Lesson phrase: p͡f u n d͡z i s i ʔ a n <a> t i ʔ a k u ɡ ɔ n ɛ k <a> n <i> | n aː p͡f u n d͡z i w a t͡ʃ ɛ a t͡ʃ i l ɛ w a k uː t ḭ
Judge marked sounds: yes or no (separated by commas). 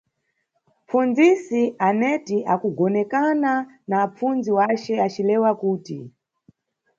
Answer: no, yes, no